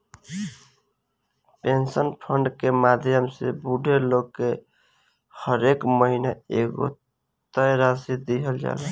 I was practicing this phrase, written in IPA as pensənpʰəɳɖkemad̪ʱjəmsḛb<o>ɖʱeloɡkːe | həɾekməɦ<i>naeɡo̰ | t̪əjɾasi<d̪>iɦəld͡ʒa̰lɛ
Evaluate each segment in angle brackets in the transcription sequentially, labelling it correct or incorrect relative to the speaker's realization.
incorrect, correct, correct

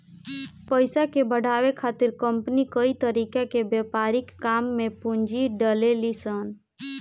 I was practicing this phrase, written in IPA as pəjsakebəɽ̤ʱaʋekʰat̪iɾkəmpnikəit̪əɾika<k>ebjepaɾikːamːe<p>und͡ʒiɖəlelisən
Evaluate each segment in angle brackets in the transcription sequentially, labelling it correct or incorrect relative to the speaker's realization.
correct, correct

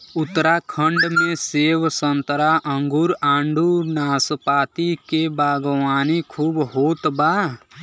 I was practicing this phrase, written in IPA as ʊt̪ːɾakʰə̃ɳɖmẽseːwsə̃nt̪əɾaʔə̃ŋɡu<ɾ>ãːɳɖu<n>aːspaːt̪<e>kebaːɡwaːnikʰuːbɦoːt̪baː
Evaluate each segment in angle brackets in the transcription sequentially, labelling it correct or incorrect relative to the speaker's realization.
correct, correct, incorrect

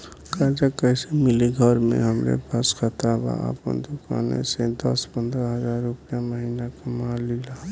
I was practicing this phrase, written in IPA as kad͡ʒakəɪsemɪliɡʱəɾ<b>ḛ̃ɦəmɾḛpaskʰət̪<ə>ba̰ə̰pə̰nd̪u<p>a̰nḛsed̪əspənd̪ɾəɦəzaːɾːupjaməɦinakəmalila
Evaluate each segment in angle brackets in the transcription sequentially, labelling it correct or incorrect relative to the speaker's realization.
incorrect, incorrect, incorrect

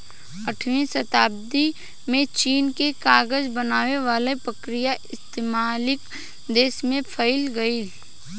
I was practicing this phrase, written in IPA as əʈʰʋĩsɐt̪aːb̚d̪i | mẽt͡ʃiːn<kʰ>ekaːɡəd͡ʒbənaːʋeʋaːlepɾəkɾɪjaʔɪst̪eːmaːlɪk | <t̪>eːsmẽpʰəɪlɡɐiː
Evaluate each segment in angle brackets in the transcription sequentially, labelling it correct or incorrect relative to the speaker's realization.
incorrect, incorrect

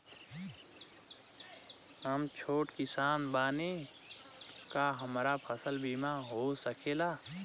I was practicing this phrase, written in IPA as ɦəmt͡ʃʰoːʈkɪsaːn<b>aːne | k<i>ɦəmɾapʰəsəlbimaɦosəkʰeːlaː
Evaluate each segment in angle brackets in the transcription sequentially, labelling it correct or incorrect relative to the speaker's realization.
correct, incorrect

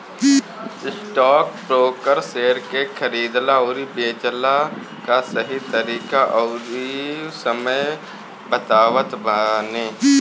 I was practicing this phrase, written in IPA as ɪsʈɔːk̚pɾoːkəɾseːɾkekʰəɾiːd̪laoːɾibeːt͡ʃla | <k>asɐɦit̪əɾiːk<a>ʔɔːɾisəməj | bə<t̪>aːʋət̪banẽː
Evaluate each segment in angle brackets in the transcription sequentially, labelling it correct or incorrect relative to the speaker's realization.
correct, correct, correct

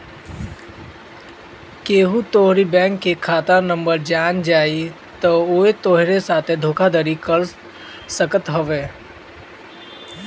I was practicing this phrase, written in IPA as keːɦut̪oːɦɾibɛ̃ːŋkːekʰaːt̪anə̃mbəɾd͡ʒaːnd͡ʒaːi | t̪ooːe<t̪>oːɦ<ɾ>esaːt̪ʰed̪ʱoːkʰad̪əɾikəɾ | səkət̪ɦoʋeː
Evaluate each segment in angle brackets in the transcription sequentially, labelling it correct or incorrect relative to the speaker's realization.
correct, correct

